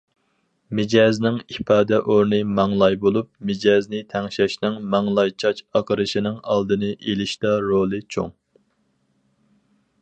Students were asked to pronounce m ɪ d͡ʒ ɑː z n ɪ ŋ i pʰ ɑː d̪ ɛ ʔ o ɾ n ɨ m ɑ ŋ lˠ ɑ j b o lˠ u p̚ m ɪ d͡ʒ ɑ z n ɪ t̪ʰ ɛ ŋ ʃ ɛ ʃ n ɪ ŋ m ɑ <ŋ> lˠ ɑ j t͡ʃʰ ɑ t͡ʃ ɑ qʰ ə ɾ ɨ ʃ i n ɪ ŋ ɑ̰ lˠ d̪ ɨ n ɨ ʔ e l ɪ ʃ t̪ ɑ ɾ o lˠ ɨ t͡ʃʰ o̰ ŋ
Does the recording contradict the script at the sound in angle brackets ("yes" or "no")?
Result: no